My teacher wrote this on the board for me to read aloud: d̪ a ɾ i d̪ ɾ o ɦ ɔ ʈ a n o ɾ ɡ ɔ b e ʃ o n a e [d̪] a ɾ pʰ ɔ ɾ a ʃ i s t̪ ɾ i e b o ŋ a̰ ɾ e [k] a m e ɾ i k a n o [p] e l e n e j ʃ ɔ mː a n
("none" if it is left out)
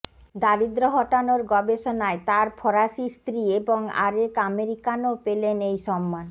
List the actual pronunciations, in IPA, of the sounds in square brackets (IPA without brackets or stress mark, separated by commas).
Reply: t̪, k, p